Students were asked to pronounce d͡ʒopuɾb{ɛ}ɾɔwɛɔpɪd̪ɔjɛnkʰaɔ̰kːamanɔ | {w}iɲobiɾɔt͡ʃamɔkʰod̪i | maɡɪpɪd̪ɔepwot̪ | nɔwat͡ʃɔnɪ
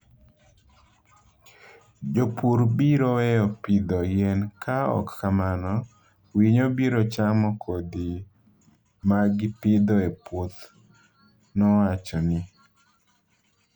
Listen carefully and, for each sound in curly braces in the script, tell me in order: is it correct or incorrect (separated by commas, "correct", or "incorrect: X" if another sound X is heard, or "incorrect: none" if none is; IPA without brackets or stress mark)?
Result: incorrect: i, correct